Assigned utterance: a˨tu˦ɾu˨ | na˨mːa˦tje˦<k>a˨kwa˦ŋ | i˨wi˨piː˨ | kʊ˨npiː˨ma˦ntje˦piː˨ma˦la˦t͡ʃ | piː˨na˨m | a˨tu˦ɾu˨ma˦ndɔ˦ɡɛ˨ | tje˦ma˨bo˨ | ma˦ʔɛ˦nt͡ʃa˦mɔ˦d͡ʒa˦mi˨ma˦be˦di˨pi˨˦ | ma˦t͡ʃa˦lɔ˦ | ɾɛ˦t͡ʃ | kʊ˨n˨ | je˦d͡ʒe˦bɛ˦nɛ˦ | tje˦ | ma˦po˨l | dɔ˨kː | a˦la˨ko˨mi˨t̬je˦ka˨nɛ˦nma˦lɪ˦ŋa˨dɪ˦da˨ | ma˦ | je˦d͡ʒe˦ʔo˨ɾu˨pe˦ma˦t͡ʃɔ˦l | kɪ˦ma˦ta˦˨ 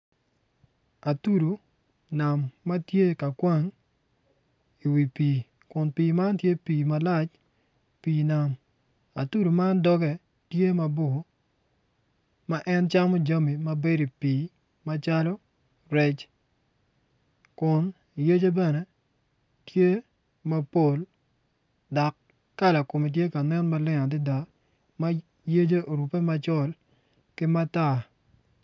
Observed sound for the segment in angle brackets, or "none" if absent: k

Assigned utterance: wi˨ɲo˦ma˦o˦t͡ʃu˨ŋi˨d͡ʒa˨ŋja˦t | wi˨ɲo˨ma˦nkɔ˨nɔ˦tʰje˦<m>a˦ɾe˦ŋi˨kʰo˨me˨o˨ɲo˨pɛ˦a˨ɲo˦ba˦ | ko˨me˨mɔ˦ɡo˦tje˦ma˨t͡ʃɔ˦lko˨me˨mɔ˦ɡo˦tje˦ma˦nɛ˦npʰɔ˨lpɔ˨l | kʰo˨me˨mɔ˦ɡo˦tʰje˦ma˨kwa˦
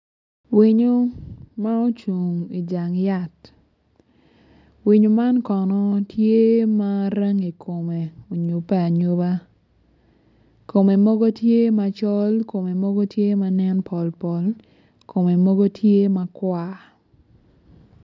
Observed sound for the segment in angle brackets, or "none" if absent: m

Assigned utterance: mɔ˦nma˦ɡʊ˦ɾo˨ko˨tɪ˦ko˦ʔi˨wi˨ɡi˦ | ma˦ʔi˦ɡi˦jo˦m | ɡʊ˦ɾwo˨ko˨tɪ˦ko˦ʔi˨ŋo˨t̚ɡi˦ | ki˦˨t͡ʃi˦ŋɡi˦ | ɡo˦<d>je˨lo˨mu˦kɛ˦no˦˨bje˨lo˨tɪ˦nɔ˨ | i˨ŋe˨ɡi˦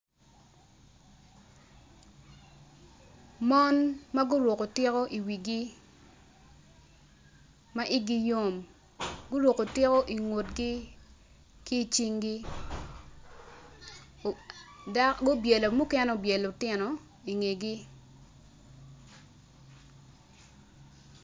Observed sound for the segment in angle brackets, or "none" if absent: b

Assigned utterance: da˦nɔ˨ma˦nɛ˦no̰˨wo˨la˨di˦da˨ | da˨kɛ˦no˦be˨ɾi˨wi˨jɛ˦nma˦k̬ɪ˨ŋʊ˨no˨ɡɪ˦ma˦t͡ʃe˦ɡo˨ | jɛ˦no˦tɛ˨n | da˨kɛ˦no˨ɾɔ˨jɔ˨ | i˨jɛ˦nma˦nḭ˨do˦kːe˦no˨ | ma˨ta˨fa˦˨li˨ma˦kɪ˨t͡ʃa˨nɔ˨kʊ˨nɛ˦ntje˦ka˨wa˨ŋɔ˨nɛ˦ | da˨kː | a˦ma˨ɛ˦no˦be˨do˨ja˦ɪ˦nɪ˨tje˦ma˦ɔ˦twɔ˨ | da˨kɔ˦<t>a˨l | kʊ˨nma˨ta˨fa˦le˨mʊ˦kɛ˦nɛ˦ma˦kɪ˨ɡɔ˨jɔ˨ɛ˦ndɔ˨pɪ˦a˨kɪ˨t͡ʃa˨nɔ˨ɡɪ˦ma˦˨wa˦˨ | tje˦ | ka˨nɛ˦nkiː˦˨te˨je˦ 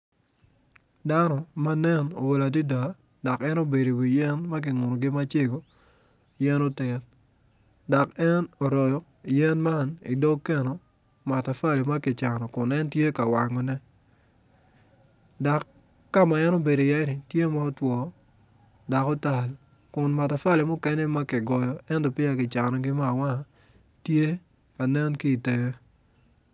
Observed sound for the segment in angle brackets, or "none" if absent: t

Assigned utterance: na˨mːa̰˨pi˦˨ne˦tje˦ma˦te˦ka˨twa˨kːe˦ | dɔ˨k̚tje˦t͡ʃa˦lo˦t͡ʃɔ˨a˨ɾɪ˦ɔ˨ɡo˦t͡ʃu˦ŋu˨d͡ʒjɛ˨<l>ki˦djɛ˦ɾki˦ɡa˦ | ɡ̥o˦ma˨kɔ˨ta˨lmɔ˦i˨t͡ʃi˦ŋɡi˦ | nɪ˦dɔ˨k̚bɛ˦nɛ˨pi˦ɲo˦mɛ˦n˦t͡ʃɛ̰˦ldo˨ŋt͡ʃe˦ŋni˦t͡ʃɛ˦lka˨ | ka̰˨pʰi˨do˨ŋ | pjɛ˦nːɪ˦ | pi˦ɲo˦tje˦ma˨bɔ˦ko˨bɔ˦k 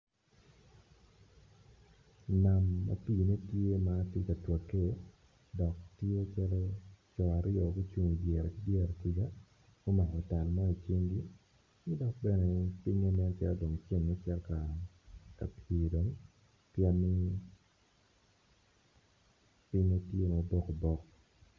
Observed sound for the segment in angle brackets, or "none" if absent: ɾ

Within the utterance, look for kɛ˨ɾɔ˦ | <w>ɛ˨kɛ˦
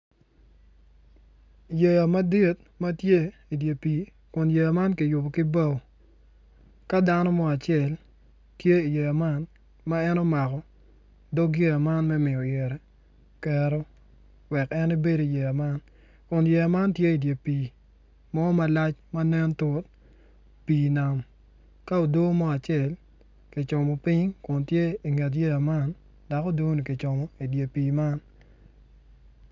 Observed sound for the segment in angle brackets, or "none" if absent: w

